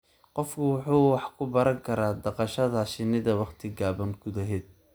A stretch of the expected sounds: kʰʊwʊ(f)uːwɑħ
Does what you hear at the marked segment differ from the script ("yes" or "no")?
yes